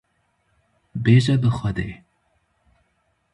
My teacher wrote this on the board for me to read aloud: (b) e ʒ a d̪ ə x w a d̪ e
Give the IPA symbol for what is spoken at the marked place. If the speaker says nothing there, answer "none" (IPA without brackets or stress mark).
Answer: b